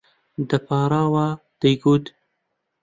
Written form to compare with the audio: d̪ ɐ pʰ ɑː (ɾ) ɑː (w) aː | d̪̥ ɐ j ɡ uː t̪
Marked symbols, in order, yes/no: yes, yes

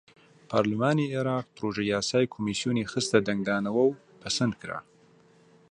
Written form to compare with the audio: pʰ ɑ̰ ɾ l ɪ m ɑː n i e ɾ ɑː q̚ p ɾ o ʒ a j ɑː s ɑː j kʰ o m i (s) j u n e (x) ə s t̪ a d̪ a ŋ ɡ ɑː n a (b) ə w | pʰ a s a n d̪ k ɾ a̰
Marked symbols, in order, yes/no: yes, yes, no

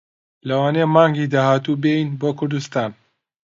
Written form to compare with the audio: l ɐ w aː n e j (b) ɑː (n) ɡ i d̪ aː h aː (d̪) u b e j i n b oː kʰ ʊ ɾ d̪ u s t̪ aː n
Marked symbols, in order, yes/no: no, no, no

